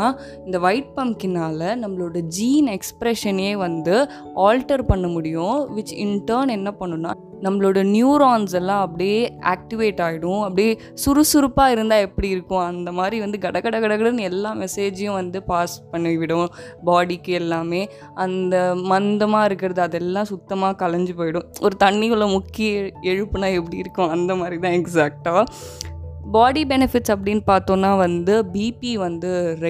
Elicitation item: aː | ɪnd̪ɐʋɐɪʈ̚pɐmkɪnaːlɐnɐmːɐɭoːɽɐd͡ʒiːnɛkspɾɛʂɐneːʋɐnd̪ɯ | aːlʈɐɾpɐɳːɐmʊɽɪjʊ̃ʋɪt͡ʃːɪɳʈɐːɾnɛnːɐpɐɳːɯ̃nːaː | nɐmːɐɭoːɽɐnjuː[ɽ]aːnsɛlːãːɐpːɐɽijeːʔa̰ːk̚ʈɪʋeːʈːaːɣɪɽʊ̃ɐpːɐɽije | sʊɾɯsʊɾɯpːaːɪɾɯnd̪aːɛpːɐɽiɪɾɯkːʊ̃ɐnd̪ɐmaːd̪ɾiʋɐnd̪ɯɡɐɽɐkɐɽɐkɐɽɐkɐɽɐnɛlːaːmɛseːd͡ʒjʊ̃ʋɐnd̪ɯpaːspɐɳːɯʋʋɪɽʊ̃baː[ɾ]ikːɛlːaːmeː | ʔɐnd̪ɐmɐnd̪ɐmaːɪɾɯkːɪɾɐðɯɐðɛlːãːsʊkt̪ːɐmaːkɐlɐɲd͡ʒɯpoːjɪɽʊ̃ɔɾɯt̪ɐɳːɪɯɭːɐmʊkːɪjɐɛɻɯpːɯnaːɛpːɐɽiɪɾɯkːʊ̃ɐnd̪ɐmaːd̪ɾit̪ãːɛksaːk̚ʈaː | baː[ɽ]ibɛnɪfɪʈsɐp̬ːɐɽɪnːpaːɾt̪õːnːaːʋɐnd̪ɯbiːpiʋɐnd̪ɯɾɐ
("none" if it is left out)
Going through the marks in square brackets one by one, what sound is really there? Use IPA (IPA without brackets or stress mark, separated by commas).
ɾ, ɽ, ɽ